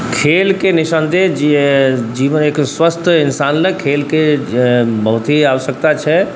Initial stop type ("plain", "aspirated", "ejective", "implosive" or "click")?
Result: aspirated